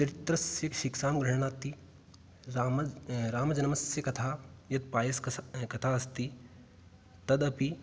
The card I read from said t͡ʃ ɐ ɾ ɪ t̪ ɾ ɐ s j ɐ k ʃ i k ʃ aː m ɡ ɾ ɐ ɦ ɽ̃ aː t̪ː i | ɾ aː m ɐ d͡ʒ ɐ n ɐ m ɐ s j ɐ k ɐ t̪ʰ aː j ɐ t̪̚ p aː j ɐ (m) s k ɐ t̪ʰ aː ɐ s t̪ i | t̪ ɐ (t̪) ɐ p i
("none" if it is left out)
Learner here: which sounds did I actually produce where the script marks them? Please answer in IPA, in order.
none, d̪

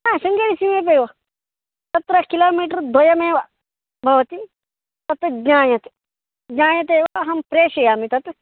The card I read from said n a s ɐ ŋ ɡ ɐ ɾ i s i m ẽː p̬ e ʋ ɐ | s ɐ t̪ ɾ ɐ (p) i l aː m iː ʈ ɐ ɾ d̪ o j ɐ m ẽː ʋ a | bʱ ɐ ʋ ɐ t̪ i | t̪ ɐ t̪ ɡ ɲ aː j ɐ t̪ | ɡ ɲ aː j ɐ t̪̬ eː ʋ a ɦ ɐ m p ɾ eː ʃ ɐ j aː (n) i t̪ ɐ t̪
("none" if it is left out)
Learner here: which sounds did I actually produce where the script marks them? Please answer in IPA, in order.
k, m

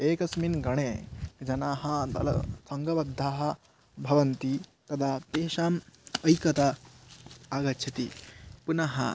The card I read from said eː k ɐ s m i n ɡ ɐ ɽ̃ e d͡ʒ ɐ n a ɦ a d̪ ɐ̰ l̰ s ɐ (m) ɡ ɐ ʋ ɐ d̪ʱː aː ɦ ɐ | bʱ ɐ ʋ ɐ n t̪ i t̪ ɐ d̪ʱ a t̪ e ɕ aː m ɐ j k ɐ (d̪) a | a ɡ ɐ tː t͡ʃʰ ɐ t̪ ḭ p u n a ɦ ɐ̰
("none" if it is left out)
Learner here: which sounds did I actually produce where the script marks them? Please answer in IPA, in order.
ŋ, t̪

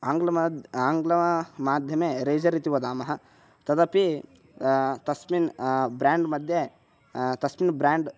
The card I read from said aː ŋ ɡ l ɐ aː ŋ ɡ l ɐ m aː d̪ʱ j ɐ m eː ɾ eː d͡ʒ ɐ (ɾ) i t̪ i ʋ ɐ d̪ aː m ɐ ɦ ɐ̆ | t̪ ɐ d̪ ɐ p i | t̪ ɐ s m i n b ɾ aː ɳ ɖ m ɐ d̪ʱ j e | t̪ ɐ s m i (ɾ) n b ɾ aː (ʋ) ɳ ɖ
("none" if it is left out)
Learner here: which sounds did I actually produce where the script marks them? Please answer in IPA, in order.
ɾ, none, none

